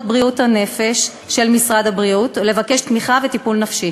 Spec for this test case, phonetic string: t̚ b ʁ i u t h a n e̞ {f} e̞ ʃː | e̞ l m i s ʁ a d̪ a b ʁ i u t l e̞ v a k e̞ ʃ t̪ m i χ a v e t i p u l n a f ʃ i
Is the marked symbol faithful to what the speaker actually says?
yes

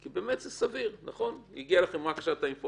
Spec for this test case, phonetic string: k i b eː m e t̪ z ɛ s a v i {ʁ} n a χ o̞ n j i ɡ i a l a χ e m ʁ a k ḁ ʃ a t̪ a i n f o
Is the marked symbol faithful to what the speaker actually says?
yes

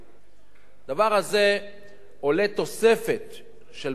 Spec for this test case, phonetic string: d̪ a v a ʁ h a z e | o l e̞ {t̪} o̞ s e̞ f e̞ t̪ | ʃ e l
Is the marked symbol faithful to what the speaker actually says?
yes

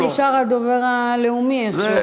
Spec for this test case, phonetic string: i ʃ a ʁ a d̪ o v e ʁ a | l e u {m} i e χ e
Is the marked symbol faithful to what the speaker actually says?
yes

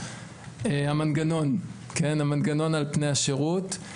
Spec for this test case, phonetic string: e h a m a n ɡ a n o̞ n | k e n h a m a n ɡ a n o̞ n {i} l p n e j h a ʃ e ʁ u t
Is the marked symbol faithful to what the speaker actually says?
no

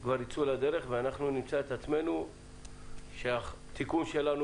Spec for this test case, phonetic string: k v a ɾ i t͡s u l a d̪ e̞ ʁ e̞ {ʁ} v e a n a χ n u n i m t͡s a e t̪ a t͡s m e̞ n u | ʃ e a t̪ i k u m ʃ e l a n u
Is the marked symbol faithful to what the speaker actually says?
no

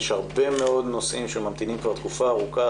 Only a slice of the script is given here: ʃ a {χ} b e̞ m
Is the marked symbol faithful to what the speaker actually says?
no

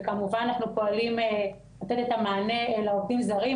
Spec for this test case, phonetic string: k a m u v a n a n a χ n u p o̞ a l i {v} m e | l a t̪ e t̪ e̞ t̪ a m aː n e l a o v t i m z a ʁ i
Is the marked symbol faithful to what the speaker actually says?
no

